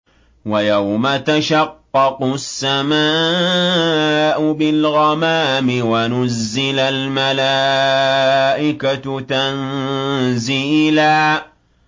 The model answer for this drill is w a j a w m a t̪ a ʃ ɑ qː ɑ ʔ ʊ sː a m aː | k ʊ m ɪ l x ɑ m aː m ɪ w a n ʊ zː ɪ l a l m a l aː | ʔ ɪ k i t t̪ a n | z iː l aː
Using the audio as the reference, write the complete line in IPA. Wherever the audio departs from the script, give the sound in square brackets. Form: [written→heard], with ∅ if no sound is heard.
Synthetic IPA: w a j a w m a t̪ a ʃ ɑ qː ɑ [ʔ→q] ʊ sː a m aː | [k→ʔ] ʊ [m→b] ɪ l [x→ɣ] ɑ m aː m ɪ w a n ʊ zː ɪ l a l m a l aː | ʔ ɪ k [i→a] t t̪ a n | z iː l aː